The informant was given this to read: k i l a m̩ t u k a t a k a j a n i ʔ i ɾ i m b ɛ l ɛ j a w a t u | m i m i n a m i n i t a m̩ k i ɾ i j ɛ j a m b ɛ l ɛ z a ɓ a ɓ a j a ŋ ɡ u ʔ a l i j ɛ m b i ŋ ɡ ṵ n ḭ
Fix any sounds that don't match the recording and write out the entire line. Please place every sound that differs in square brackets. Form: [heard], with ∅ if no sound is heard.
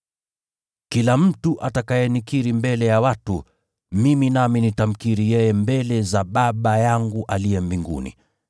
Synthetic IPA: k i l a m̩ t u [ʔ] a t a k a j [ɛ] n i [k] i ɾ i m b ɛ l ɛ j a w a t u | m i m i n a m i n i t a m̩ k i ɾ i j ɛ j [ɛ] m b ɛ l ɛ z a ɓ a ɓ a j a ŋ ɡ u ʔ a l i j ɛ m b i ŋ ɡ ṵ n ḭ